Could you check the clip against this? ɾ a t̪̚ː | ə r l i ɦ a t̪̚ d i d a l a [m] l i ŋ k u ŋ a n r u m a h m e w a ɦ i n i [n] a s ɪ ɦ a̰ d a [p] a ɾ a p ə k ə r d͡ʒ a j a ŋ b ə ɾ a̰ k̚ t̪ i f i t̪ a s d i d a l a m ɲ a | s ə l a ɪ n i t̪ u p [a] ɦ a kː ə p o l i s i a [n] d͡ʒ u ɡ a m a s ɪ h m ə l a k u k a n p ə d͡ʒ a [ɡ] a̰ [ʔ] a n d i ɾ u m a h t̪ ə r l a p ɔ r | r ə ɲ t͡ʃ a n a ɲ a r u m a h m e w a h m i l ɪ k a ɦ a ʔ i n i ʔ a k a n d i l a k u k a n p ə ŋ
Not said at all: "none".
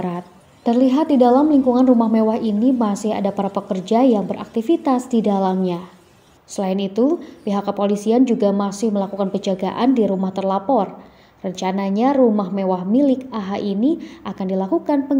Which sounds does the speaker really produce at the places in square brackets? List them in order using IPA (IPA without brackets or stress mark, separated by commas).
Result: m, m, p, i, n, ɡ, ʔ